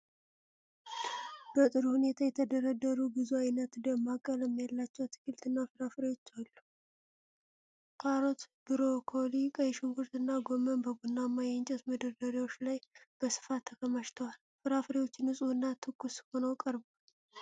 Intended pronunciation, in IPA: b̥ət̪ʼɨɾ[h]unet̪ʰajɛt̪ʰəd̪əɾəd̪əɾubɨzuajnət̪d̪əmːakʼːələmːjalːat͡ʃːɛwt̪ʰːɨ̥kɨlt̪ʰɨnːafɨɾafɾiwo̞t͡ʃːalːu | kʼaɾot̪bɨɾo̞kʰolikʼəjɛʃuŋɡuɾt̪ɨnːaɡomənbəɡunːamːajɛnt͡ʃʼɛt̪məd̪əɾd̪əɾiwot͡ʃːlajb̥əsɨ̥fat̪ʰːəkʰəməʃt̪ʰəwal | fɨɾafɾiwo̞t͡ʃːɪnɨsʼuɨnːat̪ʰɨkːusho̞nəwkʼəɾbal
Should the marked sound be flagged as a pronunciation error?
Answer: no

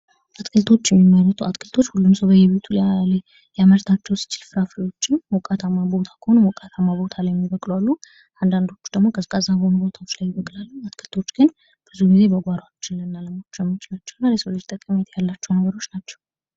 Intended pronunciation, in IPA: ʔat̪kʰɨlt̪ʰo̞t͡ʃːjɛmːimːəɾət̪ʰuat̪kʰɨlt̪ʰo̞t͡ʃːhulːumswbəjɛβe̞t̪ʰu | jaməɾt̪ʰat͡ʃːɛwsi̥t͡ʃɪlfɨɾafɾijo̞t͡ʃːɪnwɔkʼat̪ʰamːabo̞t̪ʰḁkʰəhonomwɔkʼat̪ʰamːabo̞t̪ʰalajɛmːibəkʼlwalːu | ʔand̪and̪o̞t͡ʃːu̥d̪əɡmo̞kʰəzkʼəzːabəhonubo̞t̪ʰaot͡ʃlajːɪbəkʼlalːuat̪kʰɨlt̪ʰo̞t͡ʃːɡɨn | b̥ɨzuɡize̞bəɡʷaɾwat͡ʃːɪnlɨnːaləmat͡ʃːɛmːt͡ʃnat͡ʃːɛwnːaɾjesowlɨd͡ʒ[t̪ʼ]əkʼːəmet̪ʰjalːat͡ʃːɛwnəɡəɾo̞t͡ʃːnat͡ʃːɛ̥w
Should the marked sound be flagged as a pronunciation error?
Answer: no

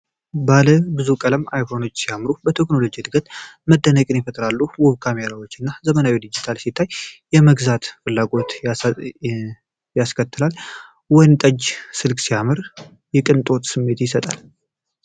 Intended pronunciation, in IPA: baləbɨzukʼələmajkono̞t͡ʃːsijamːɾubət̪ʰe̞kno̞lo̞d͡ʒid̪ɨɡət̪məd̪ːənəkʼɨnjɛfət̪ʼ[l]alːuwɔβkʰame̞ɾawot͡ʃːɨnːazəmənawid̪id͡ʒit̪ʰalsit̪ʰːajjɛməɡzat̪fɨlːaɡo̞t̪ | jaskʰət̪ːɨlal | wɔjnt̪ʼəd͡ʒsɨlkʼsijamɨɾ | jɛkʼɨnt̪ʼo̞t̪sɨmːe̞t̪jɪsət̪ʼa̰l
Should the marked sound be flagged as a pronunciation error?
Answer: yes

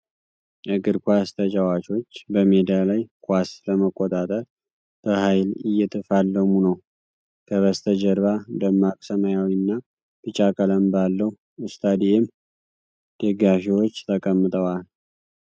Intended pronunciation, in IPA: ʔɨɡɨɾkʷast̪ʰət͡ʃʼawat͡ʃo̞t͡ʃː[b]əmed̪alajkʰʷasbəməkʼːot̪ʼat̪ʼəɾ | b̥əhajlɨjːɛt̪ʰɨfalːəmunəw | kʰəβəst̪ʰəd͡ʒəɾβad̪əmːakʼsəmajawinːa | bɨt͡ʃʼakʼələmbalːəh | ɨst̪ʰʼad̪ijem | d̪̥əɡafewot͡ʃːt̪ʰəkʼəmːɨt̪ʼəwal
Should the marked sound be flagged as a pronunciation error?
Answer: no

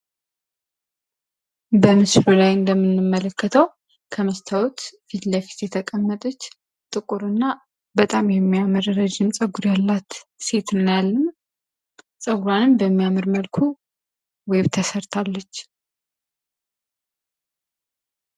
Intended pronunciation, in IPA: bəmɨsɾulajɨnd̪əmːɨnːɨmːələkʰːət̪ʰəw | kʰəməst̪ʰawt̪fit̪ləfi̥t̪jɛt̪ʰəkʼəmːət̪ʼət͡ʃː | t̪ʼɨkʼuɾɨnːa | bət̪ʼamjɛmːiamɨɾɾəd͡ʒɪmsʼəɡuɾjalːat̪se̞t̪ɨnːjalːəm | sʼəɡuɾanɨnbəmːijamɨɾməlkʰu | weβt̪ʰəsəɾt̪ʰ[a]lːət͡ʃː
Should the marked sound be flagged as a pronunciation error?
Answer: no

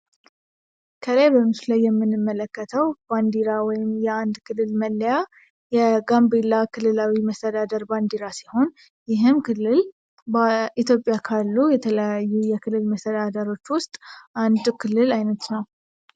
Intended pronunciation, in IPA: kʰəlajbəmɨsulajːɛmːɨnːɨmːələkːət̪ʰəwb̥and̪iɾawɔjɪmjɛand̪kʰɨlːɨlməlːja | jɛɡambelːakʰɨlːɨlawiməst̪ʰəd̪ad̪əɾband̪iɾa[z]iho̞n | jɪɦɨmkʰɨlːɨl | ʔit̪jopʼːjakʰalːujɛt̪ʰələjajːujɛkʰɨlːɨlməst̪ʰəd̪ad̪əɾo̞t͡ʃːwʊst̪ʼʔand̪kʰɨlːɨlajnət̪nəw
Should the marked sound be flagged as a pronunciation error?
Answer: yes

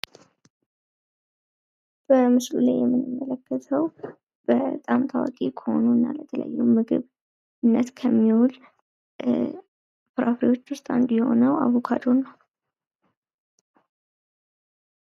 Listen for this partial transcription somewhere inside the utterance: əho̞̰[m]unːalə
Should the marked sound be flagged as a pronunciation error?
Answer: yes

